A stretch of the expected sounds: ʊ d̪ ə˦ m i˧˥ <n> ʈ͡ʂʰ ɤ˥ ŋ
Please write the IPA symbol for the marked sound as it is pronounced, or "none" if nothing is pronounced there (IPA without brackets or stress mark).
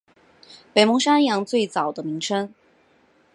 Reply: ŋ